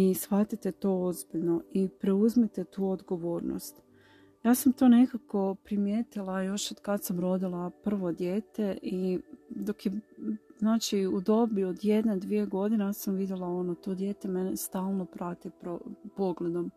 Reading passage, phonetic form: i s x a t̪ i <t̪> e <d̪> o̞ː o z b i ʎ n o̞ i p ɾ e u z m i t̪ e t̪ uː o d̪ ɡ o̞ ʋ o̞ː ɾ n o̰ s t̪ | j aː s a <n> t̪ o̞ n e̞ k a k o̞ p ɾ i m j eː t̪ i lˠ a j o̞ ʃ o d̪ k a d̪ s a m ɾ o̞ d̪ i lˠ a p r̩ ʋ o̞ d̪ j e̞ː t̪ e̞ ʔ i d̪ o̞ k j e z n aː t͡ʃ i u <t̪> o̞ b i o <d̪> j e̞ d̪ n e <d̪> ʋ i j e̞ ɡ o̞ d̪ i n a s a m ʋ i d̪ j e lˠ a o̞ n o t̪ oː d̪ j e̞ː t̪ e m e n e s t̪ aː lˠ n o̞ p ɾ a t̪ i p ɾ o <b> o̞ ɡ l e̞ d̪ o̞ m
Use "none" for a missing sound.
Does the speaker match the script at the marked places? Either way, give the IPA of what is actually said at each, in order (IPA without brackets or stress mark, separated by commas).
t̪, t̪, m, d̪, d̪, d̪, p